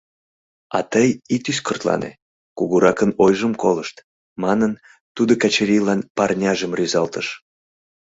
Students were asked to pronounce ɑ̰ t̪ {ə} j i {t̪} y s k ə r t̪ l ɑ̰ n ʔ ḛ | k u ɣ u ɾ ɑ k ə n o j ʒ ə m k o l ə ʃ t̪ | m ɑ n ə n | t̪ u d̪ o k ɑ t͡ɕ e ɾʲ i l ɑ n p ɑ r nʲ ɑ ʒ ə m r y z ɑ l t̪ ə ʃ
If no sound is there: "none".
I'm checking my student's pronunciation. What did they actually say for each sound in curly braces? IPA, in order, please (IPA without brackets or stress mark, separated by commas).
ə, t̪